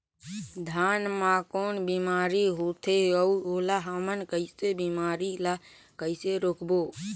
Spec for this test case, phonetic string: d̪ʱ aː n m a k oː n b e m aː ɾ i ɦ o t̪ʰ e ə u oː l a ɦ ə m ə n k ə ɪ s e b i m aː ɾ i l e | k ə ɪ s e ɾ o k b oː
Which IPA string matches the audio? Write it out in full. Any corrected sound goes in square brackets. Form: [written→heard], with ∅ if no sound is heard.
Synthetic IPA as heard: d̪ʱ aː n m a k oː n b [e→i] m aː ɾ i ɦ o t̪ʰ e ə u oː l a ɦ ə m ə n k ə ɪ s e b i m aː ɾ i l [e→a] | k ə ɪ s e ɾ o k b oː